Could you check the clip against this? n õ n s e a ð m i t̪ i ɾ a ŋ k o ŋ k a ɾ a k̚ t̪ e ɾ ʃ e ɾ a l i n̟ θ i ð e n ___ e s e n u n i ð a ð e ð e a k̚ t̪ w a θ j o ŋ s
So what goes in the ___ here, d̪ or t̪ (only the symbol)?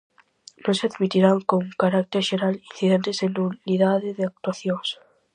t̪